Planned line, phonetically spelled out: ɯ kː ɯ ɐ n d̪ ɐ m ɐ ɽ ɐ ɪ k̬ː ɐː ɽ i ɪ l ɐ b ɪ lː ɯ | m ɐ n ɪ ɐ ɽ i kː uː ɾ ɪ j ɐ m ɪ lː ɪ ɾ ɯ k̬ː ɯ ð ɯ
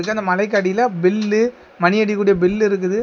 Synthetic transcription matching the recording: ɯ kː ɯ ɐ n d̪ ɐ m ɐ l ɐ ɪ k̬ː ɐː ɽ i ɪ l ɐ b ɪ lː ɯ | m ɐ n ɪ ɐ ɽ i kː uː ɽ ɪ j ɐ b ɪ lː ɪ ɾ ɯ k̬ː ɯ ð ɯ